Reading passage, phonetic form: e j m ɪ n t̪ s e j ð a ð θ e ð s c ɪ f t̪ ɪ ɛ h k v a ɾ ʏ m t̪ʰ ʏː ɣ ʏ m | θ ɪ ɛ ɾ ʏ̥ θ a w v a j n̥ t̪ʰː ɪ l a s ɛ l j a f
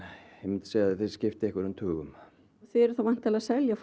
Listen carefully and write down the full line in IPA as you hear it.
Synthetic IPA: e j m ɪ n t̪ s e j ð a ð θ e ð s c ɪ f t̪ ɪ ɛ h k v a ɾ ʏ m t̪ʰ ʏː ɣ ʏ m | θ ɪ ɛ ɾ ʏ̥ θ a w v a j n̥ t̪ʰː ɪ l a s ɛ l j a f